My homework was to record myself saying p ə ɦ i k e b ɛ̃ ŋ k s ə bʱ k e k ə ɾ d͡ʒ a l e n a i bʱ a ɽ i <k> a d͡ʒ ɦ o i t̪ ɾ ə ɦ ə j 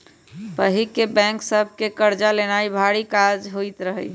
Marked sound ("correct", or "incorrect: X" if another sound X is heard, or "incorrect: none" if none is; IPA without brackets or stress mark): correct